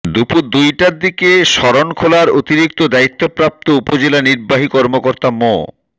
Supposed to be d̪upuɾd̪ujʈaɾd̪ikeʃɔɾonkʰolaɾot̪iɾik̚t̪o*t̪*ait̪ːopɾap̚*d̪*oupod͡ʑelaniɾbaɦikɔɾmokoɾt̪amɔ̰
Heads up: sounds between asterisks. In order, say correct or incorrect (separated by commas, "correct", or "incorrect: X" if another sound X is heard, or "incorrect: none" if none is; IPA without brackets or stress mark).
incorrect: d̪, incorrect: t̪